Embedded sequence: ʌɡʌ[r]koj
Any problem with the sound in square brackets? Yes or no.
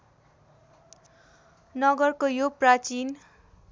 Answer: no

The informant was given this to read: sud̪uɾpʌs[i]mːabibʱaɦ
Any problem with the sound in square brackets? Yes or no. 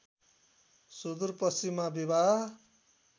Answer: no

